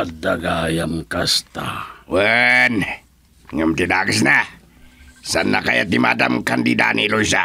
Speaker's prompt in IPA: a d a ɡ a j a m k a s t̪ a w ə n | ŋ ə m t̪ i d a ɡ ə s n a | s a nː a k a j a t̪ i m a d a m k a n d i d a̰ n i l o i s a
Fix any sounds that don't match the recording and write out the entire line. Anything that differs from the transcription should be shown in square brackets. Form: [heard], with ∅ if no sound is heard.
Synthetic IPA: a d a ɡ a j a m k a s t̪ a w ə n | ŋ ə m t̪ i d a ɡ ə s n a | s a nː a k a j a t̪ i m a d a m k a n d i d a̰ n i l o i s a